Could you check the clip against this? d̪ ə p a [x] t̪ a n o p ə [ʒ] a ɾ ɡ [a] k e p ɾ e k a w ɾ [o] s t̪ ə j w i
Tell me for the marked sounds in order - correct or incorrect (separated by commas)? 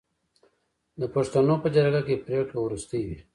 incorrect, incorrect, correct, incorrect